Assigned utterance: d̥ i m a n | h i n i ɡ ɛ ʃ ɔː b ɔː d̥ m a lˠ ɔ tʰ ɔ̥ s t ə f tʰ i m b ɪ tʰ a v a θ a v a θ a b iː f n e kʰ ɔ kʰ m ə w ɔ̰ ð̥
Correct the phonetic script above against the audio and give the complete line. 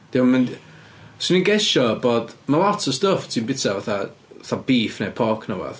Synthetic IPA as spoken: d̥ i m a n | s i n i ɡ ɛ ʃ ɔ b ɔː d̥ m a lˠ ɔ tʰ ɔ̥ s t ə f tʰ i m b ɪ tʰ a v a θ a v a θ a b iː f n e pʰ ɔ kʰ n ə w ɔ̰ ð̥